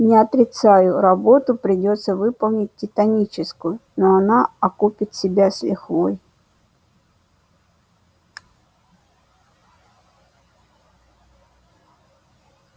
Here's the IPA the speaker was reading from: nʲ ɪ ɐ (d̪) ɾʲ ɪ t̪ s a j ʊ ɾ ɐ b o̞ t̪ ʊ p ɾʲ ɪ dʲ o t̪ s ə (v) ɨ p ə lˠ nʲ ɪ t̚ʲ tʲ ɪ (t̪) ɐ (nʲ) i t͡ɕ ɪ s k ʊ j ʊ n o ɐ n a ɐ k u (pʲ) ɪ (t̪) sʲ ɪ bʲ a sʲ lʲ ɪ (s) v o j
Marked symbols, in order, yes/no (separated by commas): no, yes, yes, yes, yes, yes, no